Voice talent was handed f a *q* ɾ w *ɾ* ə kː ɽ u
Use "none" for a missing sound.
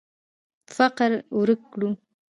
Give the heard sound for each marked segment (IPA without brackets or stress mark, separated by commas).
q, ɾ